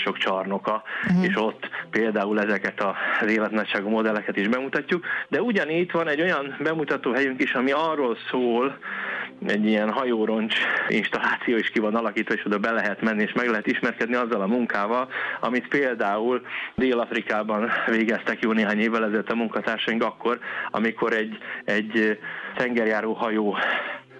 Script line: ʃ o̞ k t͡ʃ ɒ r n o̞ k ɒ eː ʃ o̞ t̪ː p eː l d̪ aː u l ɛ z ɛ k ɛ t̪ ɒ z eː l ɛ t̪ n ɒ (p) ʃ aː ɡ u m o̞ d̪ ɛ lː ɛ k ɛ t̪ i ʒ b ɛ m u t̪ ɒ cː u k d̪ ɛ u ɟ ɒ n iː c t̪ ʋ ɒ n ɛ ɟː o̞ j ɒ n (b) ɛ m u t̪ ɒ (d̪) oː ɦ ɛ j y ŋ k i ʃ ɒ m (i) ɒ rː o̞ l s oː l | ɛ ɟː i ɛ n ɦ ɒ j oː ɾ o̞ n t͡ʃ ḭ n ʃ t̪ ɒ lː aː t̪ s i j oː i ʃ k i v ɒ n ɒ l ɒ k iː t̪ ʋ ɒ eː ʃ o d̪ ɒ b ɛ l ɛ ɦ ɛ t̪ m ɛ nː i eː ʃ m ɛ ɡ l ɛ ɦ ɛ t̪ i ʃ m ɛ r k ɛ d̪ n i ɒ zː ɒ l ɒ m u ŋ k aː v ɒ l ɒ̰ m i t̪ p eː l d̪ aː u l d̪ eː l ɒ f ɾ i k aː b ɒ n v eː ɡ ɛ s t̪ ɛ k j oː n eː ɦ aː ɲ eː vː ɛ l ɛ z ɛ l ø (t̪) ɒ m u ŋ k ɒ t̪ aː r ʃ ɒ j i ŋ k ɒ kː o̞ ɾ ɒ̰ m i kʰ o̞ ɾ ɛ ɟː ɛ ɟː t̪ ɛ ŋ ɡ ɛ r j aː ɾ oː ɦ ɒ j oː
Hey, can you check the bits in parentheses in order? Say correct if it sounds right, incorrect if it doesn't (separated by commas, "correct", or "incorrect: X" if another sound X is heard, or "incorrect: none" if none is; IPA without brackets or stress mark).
incorrect: c, correct, incorrect: t̪, correct, correct